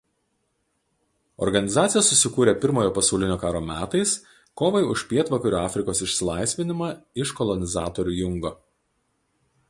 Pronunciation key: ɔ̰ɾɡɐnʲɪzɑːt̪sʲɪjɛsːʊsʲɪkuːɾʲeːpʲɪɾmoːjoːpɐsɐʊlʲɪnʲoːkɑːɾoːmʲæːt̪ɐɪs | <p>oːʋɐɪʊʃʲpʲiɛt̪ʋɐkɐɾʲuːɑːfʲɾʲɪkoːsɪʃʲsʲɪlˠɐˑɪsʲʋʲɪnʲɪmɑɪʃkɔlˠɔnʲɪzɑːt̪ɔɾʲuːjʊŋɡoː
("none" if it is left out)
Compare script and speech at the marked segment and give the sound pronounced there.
k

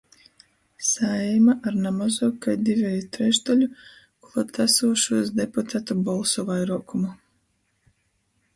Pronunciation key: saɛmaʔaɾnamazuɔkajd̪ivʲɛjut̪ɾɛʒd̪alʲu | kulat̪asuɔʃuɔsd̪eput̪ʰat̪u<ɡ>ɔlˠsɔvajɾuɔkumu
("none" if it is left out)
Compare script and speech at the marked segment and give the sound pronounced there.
b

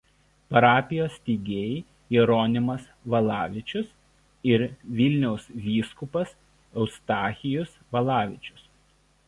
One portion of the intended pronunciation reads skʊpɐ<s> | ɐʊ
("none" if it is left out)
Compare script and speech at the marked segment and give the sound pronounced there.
s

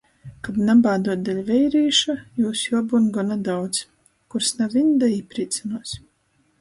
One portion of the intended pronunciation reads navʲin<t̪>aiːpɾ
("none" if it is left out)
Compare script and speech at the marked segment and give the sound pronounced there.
d̪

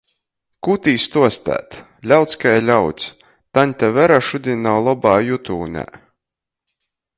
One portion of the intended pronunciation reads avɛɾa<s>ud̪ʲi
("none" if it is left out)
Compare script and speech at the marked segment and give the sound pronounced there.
ʃ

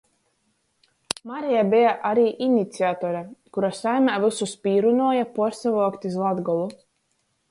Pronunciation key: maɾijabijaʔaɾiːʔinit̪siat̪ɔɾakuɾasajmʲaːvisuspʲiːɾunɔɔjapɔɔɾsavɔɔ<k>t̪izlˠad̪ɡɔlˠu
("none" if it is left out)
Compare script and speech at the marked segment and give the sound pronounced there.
k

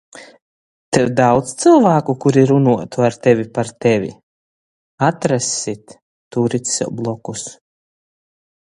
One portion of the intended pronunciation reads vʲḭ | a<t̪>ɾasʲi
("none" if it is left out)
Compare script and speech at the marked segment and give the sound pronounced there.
t̪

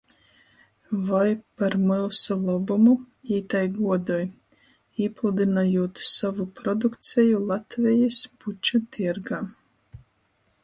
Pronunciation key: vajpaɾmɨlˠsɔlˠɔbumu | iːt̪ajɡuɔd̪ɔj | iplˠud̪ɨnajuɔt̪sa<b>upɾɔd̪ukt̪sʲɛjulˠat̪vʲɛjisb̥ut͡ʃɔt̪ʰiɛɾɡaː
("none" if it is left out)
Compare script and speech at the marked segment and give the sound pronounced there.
v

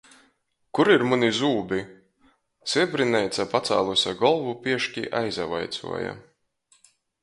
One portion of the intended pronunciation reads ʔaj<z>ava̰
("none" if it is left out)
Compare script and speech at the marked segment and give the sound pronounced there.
z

